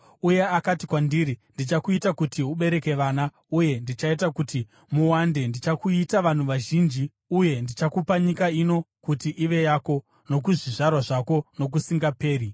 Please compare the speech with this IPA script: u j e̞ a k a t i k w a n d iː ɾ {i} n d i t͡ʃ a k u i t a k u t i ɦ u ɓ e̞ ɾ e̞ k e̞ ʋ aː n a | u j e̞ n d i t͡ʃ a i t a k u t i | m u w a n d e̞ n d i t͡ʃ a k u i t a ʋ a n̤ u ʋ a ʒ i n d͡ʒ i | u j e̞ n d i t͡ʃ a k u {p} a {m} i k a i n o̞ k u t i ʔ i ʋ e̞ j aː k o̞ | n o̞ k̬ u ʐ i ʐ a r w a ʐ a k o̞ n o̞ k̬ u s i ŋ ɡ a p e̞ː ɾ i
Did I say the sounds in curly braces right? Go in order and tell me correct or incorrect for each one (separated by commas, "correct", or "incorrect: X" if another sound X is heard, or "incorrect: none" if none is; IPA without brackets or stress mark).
correct, correct, incorrect: ɲ